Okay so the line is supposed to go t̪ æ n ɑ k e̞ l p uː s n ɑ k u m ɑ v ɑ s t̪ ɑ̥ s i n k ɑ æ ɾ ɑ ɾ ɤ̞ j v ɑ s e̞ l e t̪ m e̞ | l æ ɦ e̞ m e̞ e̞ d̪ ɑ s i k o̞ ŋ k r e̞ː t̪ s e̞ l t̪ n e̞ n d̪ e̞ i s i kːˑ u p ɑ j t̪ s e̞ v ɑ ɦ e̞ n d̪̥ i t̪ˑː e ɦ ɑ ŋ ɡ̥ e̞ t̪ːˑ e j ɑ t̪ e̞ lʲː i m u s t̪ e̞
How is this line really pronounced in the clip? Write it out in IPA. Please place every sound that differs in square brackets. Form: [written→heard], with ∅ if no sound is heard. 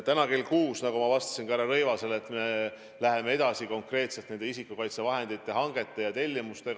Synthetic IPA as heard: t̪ æ n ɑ k e̞ l [p→k] uː s n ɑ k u m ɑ v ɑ s t̪ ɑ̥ s i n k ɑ æ ɾ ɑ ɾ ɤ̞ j v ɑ s e̞ l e t̪ m e̞ | l æ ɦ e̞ m e̞ e̞ d̪ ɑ s i k o̞ ŋ k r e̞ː t̪ s e̞ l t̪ n e̞ n d̪ e̞ i s i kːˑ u [p→k] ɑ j t̪ s e̞ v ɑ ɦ e̞ n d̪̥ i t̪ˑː e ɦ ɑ ŋ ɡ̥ e̞ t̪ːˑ e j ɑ t̪ e̞ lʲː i m u s t̪ e̞